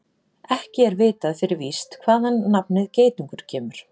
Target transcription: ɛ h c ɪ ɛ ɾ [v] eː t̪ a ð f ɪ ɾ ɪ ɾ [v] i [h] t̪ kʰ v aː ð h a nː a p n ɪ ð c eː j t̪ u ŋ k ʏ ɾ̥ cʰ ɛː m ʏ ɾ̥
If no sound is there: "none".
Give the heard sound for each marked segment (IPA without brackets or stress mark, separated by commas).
v, v, s